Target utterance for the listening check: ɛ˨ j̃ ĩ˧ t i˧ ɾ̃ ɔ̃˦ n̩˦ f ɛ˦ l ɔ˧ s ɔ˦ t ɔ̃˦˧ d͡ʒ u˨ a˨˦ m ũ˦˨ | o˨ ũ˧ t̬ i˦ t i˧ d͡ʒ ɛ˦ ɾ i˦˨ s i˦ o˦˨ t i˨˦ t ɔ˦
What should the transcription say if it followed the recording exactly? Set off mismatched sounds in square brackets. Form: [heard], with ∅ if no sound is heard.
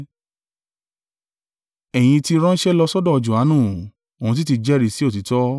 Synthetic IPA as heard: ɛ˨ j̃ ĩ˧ t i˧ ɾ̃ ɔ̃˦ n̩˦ [ʃ] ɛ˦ l ɔ˧ s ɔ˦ [d] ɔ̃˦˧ d͡ʒ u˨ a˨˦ [n] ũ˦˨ | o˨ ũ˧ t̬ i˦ t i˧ d͡ʒ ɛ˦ ɾ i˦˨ s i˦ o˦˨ t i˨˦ t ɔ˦